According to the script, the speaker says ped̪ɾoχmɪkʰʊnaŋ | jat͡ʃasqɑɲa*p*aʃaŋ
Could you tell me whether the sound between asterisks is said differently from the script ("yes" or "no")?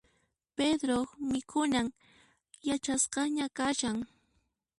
yes